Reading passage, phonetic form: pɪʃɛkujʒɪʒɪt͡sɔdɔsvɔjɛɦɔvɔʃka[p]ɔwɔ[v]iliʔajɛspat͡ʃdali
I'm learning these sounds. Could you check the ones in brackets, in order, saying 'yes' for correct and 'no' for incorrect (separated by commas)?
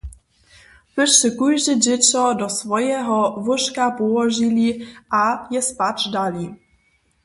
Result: yes, no